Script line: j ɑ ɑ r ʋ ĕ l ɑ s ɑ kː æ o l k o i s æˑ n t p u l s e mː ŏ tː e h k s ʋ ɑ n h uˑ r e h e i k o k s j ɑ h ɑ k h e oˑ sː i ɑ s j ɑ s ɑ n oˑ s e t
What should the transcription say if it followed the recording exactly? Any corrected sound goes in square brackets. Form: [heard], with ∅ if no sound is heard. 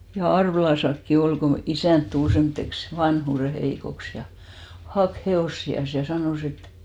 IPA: j ɑ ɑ r ʋ ĕ l ɑ s ɑ kː [i] o l k o i s æˑ n t [t] u l s e mː ŏ tː e [∅] k s ʋ ɑ n h uˑ r e h e i k o k s j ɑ h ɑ k h e oˑ sː i ɑ s j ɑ s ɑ n oˑ s e t